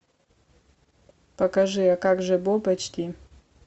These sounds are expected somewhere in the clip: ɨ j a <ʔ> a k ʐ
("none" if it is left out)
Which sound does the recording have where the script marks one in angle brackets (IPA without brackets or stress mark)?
k